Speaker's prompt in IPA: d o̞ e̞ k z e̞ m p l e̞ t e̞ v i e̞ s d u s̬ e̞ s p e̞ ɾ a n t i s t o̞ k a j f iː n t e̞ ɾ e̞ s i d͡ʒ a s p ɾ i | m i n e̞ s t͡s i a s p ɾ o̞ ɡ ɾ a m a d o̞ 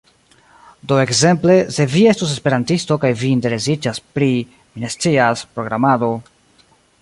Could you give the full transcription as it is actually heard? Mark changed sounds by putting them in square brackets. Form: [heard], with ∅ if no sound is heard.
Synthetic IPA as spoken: d o̞ e̞ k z e̞ m p l e̞ [s] e̞ v i e̞ s [t] u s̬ e̞ s p e̞ ɾ a n t i s t o̞ k a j [v] iː n t e̞ ɾ e̞ s i d͡ʒ a s p ɾ i | m i n e̞ s t͡s i a s p ɾ o̞ ɡ ɾ a m a d o̞